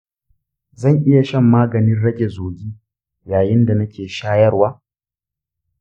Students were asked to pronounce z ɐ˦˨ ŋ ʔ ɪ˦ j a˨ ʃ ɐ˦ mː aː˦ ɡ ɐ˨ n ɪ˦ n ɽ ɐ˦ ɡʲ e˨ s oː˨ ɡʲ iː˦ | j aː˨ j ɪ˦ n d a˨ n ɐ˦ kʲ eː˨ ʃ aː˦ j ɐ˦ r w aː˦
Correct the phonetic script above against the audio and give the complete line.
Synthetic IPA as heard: z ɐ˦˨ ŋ ʔ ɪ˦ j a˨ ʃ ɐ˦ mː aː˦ ɡ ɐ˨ n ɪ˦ n ɽ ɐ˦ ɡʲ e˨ z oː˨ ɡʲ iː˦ | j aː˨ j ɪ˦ n d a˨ n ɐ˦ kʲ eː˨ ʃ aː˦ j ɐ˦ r w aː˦